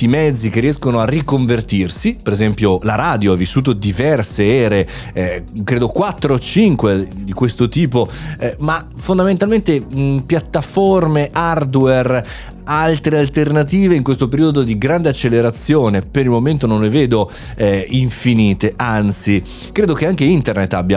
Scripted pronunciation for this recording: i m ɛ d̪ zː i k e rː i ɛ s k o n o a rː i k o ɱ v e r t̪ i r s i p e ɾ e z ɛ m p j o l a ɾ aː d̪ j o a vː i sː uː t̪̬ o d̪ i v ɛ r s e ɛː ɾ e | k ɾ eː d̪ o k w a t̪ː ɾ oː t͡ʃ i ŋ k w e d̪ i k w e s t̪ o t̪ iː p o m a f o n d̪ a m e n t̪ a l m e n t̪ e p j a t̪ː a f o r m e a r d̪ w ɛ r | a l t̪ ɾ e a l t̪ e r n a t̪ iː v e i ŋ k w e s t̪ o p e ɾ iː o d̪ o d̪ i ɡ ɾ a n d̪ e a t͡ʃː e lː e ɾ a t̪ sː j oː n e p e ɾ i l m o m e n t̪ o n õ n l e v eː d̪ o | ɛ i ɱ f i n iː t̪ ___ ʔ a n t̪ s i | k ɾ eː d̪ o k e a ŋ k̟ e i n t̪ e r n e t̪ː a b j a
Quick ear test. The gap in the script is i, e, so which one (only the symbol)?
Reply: e